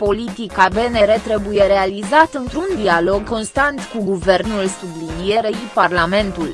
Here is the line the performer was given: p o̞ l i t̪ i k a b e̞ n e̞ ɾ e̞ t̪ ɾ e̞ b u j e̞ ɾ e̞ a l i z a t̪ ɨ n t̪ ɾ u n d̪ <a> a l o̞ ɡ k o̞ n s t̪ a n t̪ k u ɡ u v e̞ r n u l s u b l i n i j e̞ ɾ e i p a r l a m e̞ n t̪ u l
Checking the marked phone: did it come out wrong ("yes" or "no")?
yes